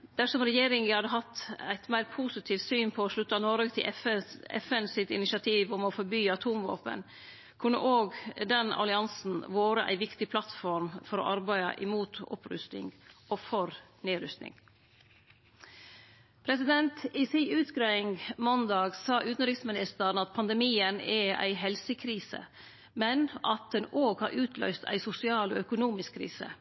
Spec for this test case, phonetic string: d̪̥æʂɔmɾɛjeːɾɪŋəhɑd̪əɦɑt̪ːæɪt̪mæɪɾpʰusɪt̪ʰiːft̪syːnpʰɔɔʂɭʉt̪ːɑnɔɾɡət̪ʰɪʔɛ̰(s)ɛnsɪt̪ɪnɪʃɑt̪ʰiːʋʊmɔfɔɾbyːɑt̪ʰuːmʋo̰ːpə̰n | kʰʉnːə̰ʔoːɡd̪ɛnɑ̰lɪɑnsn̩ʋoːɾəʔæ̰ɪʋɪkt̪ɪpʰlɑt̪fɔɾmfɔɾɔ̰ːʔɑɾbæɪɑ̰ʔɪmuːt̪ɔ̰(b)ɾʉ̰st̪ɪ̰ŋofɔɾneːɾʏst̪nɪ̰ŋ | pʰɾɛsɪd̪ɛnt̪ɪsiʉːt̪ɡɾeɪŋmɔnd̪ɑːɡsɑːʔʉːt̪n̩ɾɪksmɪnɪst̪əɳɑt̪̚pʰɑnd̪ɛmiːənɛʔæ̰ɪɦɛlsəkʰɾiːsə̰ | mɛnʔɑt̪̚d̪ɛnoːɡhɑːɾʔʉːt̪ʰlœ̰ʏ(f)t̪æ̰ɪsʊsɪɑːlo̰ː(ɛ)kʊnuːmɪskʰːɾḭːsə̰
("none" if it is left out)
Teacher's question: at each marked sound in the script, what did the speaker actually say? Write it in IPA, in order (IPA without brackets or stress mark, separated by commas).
f, p, s, œ